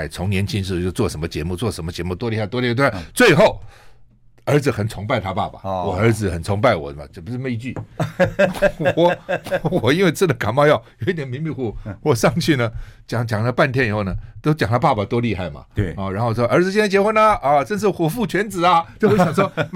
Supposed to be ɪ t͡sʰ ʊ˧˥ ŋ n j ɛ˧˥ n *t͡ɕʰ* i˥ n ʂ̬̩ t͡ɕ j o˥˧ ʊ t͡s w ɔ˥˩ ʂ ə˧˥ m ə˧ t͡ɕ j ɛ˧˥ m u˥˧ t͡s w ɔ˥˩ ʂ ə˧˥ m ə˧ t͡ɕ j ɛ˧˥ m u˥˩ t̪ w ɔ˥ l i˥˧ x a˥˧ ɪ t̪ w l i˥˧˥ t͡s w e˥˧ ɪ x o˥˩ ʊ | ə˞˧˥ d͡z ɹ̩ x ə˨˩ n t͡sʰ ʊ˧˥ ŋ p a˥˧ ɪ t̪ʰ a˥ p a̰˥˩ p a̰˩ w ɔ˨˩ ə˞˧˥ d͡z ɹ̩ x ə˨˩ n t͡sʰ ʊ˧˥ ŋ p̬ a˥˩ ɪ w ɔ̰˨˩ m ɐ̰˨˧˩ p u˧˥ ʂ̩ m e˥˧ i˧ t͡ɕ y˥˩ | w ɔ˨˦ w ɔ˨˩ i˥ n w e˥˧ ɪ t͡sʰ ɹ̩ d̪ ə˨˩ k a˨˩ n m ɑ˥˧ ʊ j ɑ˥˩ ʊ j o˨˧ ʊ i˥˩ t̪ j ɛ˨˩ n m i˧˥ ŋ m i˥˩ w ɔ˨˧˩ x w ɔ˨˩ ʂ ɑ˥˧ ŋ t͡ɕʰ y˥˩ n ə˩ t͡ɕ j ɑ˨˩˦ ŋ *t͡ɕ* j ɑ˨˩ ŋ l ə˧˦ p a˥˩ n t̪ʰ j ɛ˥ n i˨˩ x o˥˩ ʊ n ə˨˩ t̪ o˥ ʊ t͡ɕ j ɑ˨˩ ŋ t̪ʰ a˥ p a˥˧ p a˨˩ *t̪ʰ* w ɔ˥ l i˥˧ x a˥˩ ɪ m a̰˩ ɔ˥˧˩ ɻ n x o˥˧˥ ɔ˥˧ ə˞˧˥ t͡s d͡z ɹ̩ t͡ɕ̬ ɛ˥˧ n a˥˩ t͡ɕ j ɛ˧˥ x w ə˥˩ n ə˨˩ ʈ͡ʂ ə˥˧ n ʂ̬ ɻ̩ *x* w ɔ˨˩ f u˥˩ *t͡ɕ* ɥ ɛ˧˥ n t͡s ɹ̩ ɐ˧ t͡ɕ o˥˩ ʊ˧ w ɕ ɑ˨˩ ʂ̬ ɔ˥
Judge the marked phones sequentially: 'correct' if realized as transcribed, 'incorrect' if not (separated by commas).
correct, correct, incorrect, correct, incorrect